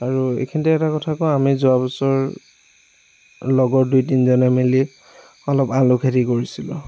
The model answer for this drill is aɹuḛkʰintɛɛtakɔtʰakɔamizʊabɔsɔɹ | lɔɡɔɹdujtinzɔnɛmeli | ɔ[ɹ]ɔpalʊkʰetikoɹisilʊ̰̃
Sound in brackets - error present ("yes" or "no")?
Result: yes